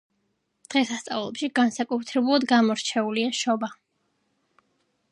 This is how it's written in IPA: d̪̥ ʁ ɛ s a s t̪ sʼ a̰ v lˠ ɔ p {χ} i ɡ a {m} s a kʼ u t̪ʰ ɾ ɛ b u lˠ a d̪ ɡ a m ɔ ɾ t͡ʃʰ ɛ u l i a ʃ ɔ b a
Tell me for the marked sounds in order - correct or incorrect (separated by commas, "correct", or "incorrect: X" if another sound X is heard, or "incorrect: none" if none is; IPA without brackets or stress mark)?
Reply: incorrect: ʃ, incorrect: n